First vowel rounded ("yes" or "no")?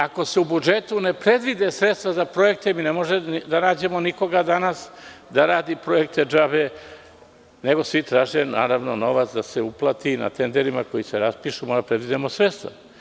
no